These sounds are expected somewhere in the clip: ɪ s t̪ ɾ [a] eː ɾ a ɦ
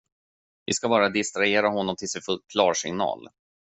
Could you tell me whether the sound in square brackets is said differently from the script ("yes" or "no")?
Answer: no